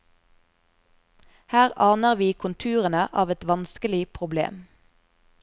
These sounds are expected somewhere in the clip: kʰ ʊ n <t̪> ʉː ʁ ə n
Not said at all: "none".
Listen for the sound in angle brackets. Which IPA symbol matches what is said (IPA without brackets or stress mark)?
t̪ʰ